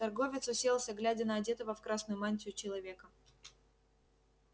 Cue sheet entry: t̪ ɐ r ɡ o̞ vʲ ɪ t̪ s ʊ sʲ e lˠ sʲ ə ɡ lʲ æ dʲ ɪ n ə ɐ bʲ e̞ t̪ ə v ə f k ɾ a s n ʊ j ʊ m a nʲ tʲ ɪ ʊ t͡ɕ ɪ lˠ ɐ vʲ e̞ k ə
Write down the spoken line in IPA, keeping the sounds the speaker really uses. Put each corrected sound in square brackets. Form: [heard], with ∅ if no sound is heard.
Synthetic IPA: t̪ ɐ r ɡ o̞ vʲ ɪ t̪ s ʊ sʲ e lˠ sʲ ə ɡ lʲ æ dʲ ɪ n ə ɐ [dʲ] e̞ t̪ ə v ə f k ɾ a s n ʊ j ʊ m a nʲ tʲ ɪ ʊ t͡ɕ ɪ lˠ ɐ vʲ e̞ k ə